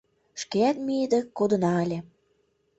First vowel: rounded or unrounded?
unrounded